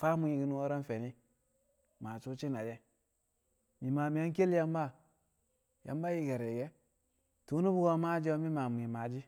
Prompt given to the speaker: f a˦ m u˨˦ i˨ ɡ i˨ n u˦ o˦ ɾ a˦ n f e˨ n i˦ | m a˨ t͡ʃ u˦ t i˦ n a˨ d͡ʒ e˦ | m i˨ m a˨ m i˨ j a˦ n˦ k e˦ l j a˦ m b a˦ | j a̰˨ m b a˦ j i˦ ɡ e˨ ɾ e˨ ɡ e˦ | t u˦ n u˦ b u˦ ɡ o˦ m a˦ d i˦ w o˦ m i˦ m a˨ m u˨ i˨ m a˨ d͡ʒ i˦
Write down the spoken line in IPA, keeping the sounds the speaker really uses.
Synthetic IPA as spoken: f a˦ m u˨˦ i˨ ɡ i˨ n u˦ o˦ ɾ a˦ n f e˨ n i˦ | m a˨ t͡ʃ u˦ t͡ʃ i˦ n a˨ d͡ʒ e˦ | m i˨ m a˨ m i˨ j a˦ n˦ k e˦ l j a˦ m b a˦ | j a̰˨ m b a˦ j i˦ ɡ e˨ ɾ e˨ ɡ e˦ | t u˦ n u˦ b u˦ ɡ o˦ m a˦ d͡ʒ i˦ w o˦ m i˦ m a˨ m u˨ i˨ m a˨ d͡ʒ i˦

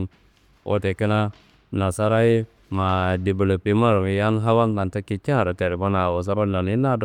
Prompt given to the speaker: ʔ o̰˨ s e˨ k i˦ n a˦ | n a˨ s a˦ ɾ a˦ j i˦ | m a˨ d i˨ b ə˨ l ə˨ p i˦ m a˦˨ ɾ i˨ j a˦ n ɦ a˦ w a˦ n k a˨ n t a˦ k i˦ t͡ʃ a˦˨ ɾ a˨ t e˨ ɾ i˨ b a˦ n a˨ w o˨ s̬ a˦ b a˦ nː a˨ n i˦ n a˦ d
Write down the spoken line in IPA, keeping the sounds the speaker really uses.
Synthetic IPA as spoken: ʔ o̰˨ t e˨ k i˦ n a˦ | n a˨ s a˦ ɾ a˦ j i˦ | m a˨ d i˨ b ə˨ l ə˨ p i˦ m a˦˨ ɾ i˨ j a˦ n ɦ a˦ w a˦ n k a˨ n t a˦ k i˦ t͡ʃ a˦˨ ɾ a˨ t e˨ ɾ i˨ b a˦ n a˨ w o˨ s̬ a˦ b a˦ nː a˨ n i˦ n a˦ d

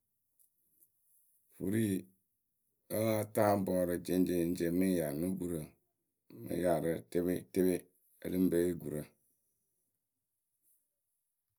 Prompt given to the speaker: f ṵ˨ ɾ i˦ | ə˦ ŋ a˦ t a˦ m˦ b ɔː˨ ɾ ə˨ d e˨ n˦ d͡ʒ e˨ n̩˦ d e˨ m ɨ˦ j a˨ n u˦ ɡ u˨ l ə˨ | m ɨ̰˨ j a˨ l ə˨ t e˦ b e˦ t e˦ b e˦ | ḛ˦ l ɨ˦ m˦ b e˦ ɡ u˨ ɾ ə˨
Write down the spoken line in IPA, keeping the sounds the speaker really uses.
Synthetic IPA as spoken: f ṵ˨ ɾ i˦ | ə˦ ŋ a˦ t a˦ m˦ b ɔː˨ ɾ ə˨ d͡ʒ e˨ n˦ d͡ʒ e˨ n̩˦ d͡ʒ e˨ m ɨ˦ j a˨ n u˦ ɡ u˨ ɾ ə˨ | m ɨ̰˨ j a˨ ɾ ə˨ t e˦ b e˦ t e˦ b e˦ | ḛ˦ l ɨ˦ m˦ b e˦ ɡ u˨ ɾ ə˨

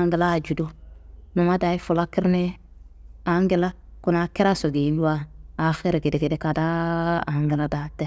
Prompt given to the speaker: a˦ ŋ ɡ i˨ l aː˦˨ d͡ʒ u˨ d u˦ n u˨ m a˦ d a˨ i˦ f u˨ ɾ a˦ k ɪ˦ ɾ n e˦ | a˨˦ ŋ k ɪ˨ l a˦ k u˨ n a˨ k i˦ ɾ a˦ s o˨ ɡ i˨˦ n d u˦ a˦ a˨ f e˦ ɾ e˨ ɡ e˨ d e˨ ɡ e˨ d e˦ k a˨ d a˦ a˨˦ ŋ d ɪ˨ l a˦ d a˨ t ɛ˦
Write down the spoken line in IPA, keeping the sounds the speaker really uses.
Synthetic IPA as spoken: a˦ ŋ ɡ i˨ l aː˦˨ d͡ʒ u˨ d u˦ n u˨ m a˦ d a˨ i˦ f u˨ l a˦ k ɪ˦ ɾ n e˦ | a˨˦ ŋ ɡ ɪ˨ l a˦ k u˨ n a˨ k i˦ ɾ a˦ s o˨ ɡ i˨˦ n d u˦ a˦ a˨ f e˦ ɾ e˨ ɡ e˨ d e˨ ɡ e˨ d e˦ k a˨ d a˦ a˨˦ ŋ ɡ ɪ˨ l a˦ d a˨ t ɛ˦

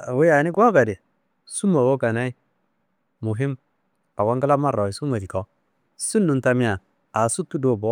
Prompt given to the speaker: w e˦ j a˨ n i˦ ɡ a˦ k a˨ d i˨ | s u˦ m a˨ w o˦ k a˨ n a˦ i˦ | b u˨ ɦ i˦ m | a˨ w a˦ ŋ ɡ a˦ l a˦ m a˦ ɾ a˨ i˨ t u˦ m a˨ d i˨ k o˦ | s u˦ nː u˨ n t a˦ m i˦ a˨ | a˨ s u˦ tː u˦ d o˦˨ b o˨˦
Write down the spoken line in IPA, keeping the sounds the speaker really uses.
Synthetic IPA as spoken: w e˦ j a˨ n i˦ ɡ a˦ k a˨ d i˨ | s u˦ m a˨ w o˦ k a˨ n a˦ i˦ | m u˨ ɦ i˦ m | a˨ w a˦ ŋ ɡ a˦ l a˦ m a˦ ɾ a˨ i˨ s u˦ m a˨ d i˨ k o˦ | s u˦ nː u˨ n t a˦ m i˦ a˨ | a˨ s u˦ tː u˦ d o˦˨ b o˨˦

